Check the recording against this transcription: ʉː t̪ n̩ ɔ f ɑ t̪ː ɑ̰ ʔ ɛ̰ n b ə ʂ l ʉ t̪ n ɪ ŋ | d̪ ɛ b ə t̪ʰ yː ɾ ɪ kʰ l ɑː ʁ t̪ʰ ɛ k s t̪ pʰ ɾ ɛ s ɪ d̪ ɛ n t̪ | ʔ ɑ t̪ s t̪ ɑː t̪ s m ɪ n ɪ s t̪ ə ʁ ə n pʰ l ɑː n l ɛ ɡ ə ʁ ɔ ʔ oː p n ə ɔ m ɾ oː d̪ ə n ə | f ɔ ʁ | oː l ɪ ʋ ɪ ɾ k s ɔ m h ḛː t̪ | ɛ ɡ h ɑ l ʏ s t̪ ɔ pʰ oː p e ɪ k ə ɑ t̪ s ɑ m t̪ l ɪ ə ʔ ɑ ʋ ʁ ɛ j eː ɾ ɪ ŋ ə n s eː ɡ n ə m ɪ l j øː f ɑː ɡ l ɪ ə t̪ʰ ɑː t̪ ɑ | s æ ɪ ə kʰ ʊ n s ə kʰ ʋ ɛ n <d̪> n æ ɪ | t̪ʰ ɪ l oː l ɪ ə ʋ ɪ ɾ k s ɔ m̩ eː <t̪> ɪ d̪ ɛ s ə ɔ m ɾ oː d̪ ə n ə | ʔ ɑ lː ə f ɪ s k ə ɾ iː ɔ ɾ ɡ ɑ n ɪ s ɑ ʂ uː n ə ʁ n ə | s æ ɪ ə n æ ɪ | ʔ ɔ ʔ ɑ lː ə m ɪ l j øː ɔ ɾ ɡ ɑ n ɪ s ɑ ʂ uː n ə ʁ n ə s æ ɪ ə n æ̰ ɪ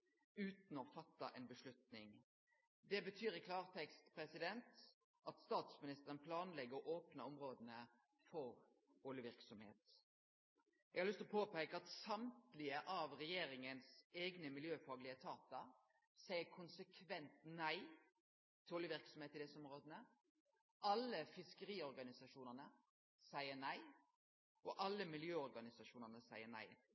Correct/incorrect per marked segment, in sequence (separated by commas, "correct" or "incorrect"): incorrect, correct